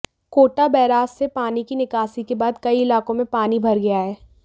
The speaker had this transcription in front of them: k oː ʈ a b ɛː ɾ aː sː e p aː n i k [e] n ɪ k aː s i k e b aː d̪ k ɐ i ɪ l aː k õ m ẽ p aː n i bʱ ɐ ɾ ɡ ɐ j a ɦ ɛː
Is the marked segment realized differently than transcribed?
yes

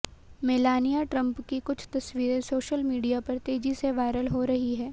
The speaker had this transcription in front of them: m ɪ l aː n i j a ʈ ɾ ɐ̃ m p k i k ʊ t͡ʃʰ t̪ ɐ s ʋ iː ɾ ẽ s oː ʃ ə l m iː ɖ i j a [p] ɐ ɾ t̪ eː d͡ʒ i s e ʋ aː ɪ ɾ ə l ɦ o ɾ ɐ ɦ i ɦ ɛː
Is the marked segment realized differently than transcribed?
no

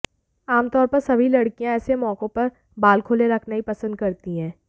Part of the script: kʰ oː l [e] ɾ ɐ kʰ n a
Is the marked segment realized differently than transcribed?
no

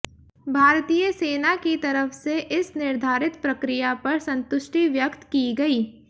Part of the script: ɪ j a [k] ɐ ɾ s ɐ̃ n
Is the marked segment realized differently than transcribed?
yes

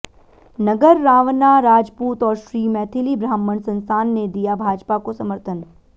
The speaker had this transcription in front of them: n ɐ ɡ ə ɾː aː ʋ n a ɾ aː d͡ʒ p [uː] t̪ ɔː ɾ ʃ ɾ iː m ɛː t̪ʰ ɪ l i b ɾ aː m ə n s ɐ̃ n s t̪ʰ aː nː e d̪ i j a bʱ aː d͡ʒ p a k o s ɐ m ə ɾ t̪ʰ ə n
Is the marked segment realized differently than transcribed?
no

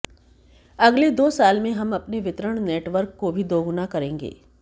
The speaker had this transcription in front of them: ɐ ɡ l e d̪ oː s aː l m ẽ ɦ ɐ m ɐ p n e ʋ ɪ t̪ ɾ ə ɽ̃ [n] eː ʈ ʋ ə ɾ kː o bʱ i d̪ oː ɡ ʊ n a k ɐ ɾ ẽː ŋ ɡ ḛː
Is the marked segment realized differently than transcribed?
no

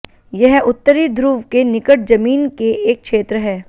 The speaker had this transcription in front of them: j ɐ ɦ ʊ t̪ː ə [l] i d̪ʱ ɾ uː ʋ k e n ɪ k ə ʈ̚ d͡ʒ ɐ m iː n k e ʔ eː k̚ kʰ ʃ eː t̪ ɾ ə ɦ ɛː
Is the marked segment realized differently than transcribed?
yes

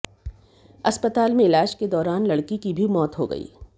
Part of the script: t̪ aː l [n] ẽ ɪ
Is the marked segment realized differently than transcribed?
yes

